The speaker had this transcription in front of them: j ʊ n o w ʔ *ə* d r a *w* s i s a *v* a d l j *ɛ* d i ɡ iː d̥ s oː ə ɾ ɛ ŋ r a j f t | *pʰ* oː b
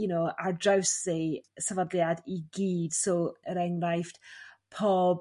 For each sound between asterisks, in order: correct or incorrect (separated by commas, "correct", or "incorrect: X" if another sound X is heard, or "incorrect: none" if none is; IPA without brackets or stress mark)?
incorrect: a, correct, correct, incorrect: a, correct